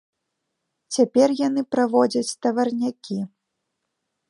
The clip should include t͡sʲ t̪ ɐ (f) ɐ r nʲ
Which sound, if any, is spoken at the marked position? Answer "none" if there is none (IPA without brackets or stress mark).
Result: v